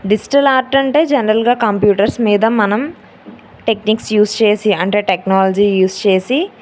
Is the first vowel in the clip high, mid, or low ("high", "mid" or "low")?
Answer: high